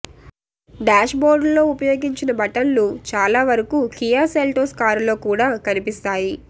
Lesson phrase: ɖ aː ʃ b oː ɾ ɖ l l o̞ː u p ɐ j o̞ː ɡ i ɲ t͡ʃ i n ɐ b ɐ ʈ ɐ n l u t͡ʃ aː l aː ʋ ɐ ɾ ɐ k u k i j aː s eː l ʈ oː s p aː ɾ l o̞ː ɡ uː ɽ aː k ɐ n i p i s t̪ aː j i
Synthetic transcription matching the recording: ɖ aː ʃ b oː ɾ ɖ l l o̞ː u p ɐ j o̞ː ɡ i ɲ t͡ʃ i n ɐ b ɐ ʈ ɐ n l u t͡ʃ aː l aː ʋ ɐ ɾ ɐ k u k i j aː s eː l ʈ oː s k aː ɾ l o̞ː k uː ɽ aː k ɐ n i p i s t̪ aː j i